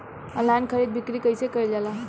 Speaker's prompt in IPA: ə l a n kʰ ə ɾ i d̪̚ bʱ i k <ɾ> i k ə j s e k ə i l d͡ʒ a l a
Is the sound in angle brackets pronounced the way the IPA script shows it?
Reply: yes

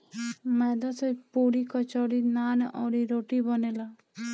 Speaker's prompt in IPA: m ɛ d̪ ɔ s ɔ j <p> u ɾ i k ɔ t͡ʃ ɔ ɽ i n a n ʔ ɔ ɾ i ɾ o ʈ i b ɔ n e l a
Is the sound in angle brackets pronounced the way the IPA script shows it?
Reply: yes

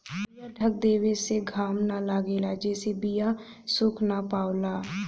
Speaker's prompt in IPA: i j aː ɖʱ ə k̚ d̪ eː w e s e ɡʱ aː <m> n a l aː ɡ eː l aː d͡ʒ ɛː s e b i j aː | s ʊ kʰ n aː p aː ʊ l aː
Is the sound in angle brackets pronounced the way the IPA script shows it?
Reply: yes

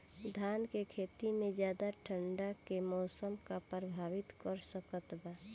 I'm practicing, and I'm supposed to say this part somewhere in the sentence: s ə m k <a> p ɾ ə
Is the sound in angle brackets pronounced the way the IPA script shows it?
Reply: yes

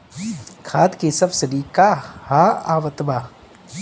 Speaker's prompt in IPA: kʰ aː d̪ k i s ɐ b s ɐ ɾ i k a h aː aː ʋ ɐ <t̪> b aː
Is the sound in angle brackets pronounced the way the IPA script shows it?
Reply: yes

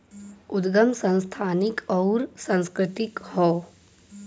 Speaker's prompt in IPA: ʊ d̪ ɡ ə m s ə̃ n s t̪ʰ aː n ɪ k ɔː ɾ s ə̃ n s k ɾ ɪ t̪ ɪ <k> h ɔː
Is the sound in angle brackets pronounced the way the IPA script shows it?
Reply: yes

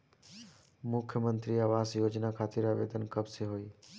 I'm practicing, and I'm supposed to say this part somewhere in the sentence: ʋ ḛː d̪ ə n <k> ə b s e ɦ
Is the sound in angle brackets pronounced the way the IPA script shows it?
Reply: yes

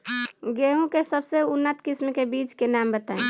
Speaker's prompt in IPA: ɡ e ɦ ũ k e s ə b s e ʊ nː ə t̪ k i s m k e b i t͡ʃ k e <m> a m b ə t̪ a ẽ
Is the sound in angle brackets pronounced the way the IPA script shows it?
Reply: no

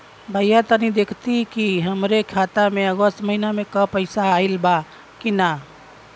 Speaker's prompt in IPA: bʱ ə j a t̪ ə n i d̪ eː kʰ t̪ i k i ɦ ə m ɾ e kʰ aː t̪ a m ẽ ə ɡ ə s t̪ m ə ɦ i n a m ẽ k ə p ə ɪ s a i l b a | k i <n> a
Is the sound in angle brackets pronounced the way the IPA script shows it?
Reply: yes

